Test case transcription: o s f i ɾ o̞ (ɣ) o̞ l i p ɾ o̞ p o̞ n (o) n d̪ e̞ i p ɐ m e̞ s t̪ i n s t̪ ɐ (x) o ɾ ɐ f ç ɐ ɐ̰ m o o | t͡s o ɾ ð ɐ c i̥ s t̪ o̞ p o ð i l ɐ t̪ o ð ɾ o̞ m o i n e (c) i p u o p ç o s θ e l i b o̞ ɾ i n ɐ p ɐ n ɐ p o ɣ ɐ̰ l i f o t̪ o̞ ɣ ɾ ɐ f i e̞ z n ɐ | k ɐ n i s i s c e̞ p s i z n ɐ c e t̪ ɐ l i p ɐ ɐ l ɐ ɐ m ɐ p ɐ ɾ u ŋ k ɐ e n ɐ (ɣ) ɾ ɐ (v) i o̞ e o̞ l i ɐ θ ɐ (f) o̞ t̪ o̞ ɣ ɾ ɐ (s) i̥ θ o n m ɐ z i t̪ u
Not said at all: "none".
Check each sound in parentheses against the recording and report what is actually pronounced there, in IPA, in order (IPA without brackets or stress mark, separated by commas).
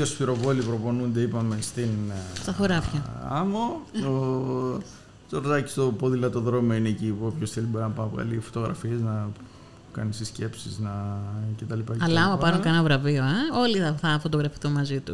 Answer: v, u, θ, c, v, v, f, f